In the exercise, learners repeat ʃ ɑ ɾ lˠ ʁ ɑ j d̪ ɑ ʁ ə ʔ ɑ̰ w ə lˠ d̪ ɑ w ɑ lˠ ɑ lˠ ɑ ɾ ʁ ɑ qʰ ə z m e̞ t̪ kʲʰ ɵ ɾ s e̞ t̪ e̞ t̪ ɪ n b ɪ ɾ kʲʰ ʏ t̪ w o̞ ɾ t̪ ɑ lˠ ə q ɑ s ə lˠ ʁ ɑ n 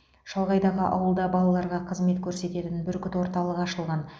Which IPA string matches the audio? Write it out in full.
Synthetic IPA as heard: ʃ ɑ lˠ ʁ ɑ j d̪ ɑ ʁ ə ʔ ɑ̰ w ə lˠ d̪ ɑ b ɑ lˠ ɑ lˠ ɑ ɾ ʁ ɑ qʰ ə z m e̞ t̪ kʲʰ ɵ ɾ s e̞ t̪ e̞ t̪ ɪ n b ɪ ɾ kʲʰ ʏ t̪ w o̞ ɾ t̪ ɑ lˠ ə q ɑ ʃ ə lˠ ʁ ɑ n